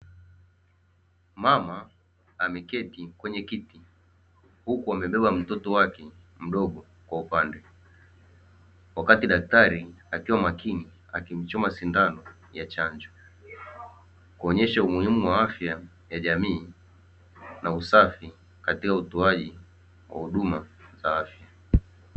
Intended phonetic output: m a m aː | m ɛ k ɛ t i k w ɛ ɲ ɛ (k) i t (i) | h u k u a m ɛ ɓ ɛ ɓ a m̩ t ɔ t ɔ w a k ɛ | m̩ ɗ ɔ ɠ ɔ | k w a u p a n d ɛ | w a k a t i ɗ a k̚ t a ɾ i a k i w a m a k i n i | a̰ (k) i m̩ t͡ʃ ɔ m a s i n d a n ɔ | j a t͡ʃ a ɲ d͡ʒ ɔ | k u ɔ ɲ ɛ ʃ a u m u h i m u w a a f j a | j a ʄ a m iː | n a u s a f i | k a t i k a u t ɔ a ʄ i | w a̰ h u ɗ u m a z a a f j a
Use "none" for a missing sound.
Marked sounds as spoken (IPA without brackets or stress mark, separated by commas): k, i, k